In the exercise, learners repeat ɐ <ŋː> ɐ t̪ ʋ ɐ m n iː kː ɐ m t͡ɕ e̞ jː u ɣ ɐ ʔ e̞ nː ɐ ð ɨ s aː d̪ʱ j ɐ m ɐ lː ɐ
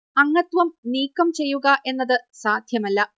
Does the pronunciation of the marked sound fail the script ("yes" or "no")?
no